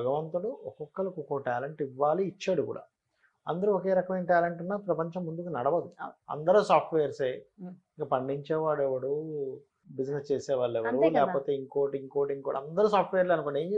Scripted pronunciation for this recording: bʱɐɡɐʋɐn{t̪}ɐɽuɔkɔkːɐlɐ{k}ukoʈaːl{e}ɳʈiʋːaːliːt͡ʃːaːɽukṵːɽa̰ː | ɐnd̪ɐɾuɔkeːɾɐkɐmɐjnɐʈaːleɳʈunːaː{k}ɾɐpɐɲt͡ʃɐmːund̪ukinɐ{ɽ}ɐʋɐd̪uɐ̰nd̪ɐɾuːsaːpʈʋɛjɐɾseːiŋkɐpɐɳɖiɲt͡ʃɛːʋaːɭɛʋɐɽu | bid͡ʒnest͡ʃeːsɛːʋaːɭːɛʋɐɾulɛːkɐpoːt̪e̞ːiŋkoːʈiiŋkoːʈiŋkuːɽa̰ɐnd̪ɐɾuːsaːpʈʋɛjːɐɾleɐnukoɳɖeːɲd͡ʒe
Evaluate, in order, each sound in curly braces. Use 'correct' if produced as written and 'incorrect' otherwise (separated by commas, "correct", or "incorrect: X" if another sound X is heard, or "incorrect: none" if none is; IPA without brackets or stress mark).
correct, correct, correct, incorrect: p, correct